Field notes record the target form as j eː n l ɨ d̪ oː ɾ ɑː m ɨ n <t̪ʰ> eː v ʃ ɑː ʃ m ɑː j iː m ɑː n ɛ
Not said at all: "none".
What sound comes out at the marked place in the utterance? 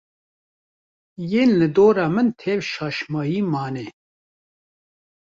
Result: t̪ʰ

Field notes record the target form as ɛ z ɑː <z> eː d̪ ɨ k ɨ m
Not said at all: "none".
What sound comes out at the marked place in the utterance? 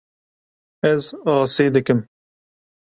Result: s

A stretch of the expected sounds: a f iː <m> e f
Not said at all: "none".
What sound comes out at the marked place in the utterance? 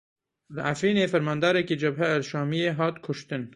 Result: n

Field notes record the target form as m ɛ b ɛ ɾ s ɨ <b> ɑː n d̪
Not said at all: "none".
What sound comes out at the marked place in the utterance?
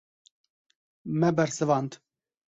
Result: v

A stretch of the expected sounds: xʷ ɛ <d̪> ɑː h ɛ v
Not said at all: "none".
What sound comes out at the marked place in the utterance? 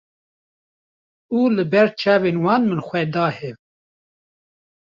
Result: d̪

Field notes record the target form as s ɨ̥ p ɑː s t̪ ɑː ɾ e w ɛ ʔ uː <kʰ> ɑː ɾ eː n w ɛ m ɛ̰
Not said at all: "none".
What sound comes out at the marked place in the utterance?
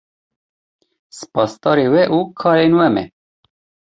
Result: kʰ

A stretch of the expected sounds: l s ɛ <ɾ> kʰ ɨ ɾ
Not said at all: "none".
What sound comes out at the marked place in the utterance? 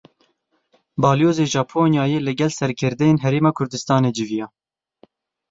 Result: ɾ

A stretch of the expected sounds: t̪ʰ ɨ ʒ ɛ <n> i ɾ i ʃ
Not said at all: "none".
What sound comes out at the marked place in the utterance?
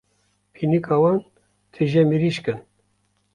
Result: m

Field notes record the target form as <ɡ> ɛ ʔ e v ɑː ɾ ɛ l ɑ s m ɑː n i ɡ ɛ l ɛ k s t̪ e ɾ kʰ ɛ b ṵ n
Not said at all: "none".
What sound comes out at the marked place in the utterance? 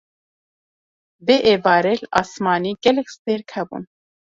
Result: b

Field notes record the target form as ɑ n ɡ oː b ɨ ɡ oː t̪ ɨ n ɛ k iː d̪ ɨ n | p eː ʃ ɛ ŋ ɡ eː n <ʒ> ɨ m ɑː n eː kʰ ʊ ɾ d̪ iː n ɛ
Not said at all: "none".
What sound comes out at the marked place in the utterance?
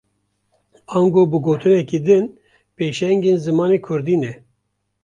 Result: z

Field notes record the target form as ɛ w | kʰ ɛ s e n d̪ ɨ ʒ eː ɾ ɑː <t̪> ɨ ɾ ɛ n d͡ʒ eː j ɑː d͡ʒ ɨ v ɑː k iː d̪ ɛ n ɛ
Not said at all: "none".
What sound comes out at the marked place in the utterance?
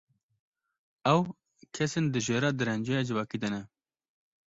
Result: d̪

